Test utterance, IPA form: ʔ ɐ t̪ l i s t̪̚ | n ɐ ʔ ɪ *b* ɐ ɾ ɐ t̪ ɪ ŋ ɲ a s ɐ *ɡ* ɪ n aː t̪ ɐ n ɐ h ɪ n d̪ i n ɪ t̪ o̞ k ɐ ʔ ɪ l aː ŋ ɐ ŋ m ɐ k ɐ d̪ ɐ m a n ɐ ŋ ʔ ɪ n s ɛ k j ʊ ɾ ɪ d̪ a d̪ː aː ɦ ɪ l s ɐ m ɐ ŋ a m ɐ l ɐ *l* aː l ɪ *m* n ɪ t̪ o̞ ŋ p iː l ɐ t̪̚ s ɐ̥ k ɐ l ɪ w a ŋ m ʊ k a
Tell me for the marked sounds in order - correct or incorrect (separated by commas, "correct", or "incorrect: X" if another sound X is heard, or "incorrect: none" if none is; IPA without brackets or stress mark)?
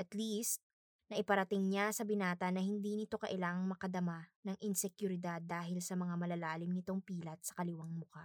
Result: incorrect: p, incorrect: b, correct, correct